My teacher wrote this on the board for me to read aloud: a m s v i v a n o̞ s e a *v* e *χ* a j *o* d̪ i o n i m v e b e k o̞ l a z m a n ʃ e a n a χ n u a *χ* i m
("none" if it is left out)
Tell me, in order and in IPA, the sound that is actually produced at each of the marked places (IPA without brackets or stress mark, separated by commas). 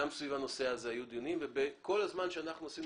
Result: z, none, u, s